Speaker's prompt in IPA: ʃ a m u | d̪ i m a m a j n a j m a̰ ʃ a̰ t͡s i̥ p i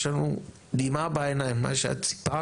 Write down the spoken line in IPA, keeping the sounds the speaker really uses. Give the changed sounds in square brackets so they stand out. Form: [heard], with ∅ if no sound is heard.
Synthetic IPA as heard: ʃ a [n] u | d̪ i m a [b] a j n a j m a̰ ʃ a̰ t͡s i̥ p [a]